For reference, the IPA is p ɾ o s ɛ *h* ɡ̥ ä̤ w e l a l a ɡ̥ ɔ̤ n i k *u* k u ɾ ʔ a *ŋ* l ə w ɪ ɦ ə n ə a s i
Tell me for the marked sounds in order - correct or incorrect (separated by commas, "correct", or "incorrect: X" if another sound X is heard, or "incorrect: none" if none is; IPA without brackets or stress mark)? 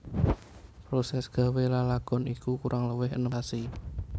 incorrect: s, correct, correct